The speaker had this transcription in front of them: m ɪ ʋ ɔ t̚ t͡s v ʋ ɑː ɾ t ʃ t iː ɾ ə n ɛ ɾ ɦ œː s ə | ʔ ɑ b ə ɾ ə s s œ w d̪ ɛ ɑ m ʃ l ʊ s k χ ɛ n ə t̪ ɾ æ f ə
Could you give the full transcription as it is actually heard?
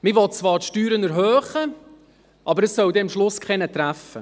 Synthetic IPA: m ɪ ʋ ɔ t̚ t͡s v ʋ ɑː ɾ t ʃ t yː ɾ ə n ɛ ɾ ɦ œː χ ə | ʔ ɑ b ə ɾ ə s s œ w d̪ ɛ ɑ m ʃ l ʊ s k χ ɛ n ə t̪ ɾ æ f ə